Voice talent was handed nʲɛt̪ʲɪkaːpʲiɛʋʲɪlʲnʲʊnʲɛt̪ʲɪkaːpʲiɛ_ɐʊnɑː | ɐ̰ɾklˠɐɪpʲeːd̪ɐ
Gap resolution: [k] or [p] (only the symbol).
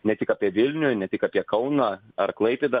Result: k